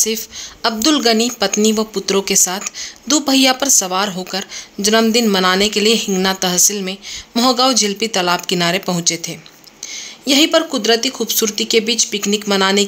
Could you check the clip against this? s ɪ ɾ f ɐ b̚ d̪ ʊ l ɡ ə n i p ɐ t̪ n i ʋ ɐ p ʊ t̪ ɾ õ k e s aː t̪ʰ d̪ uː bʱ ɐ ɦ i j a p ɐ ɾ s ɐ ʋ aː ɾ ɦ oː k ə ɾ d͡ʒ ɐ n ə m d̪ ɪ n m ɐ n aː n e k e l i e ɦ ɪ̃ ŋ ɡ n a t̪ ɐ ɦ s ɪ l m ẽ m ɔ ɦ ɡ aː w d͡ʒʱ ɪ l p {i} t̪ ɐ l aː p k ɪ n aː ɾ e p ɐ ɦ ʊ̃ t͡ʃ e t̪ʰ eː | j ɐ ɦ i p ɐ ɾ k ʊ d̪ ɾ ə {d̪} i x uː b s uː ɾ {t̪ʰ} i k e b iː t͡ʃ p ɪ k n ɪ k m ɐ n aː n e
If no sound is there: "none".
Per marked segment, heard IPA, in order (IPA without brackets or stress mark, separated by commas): i, t̪, t̪